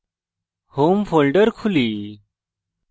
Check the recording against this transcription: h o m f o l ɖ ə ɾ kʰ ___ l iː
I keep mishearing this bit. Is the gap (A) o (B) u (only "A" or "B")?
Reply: B